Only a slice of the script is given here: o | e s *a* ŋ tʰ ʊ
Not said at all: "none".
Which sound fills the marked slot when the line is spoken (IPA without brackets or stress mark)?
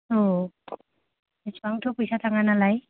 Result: a